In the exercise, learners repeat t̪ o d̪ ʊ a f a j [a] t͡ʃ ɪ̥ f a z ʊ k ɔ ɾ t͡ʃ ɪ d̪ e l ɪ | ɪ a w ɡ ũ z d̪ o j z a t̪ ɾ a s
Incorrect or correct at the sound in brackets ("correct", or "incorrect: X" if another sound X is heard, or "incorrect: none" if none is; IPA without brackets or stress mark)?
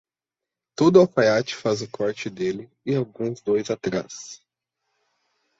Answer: correct